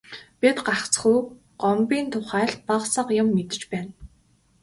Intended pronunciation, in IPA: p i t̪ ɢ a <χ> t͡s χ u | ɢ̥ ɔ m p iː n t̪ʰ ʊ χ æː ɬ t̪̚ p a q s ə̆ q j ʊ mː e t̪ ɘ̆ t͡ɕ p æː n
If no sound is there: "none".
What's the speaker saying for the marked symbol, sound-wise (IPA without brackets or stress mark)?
χ